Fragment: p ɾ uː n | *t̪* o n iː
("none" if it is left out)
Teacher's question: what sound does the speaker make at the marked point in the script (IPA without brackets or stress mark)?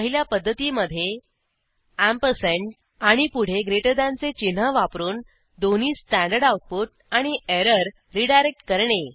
d̪